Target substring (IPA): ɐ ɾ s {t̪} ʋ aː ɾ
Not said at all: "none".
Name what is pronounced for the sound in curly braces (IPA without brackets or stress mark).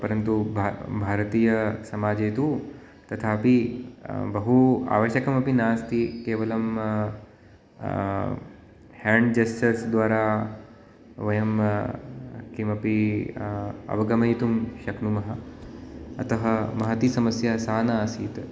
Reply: d̪